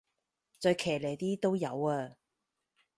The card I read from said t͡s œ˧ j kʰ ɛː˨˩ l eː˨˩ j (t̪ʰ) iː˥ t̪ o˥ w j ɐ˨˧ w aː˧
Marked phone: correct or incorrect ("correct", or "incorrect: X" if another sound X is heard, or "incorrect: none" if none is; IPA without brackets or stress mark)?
incorrect: t̪